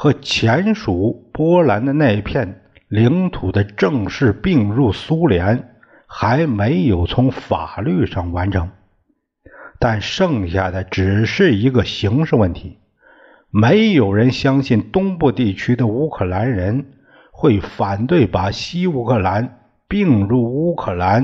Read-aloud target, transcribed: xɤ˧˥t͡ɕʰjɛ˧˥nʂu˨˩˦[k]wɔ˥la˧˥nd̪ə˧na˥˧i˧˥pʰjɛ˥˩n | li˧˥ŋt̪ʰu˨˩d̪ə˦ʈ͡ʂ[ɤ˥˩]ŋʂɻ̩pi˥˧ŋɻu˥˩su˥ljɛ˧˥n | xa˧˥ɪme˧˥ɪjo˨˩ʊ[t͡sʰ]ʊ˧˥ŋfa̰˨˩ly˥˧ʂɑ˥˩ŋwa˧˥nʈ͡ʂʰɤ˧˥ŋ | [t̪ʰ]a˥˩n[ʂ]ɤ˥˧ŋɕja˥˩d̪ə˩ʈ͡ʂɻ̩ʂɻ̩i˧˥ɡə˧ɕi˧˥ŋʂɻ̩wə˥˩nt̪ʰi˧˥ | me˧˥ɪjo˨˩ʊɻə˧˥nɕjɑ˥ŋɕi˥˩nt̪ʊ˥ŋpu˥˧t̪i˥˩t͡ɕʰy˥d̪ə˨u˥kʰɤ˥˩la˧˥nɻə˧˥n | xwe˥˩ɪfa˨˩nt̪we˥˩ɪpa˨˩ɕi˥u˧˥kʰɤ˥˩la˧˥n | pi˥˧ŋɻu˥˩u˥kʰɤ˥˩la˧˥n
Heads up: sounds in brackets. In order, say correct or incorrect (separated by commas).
incorrect, incorrect, correct, incorrect, correct